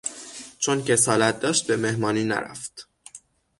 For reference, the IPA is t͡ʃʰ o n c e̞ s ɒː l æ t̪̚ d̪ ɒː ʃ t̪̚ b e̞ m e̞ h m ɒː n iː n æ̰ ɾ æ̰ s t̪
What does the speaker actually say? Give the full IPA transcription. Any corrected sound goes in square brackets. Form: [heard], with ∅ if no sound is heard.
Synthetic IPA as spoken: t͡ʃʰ o n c e̞ s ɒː l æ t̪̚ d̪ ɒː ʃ t̪̚ b e̞ m e̞ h m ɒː n iː n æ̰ ɾ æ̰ [f] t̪